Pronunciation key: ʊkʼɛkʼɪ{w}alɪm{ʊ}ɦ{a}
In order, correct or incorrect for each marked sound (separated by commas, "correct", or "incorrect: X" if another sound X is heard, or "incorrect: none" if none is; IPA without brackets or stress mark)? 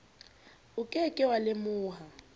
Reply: correct, incorrect: ʊː, correct